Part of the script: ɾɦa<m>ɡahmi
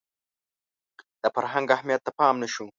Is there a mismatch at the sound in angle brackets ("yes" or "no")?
yes